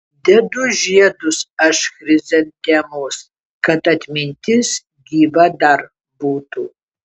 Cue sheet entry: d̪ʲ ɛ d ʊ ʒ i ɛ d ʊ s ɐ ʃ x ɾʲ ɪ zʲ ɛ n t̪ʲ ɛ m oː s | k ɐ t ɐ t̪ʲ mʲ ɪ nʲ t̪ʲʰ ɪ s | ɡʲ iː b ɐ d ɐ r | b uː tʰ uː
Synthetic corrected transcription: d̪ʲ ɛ d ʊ ʒ i ɛ d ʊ s ɐ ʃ x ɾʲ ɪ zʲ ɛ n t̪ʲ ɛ m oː s | k ɐ t ɐ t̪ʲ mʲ ɪ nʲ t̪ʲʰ ɪ s | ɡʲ iː b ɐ d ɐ r | b uː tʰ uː